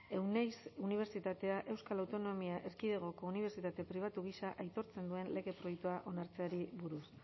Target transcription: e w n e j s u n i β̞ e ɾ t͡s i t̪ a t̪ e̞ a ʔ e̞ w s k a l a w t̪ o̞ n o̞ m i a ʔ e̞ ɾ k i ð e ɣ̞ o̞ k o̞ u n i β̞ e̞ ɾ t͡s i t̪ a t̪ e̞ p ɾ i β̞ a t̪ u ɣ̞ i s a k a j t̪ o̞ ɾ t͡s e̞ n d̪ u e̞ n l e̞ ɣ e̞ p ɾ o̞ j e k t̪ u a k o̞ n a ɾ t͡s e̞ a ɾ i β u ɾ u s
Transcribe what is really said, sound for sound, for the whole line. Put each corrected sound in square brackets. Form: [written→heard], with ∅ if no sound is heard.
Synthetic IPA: e w n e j s u n i β̞ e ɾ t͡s i t̪ a t̪ e̞ a ʔ e̞ w s k a l a w t̪ o̞ n o̞ m i a ʔ e̞ ɾ k i ð e ɣ̞ o̞ k o̞ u n i β̞ e̞ ɾ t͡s i t̪ a t̪ e̞ p ɾ i β̞ a t̪ u ɣ̞ i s a [k→ʔ] a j t̪ o̞ ɾ t͡s e̞ n d̪ u e̞ n l e̞ ɣ e̞ p ɾ o̞ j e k t̪ u a [k→ʔ] o̞ n a ɾ t͡s e̞ a ɾ i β u ɾ u s